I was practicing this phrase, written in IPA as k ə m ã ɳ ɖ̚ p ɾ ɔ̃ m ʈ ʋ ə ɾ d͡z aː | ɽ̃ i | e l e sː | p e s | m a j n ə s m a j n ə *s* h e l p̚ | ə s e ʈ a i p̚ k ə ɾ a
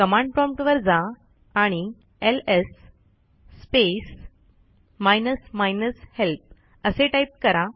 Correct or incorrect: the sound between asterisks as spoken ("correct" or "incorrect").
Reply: correct